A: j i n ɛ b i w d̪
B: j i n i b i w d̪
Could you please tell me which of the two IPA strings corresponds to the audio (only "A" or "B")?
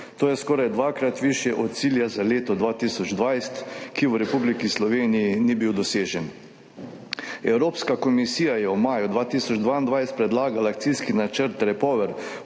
B